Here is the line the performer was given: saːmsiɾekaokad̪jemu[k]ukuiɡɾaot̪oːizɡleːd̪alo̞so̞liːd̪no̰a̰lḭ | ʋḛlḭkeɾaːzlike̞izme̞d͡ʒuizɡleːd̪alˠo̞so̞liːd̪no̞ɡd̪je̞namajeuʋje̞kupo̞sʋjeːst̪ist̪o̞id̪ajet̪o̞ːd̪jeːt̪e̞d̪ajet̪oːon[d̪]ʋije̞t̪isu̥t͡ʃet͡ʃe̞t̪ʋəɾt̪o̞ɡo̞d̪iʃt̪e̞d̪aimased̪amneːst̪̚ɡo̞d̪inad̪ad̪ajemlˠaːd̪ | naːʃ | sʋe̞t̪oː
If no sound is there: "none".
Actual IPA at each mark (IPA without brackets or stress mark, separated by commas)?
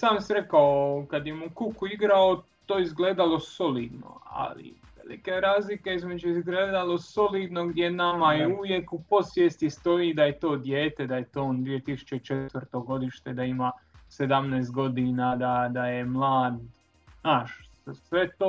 k, d̪